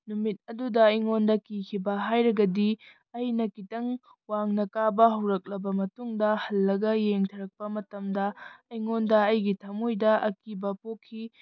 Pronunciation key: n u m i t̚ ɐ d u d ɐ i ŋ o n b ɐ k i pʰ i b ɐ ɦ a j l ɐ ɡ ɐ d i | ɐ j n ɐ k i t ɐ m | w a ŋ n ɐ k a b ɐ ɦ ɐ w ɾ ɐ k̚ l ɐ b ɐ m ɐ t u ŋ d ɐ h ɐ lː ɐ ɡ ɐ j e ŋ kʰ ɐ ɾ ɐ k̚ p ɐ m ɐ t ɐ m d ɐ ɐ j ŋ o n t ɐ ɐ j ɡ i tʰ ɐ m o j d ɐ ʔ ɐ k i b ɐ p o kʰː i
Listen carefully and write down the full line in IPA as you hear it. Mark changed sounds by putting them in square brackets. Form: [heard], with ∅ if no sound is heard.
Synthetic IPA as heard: n u m i t̚ ɐ d u d ɐ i ŋ o n [d] ɐ k i [kʰ] i b ɐ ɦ a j [ɾ] ɐ ɡ ɐ d i | ɐ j n ɐ k i t ɐ [ŋ] | w a ŋ n ɐ k a b ɐ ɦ ɐ w ɾ ɐ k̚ l ɐ b ɐ m ɐ t u ŋ d ɐ h ɐ lː ɐ ɡ ɐ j e ŋ [tʰ] ɐ ɾ ɐ k̚ p ɐ m ɐ t ɐ m d ɐ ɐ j ŋ o n [d] ɐ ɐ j ɡ i tʰ ɐ m o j d ɐ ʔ ɐ k i b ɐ p o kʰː i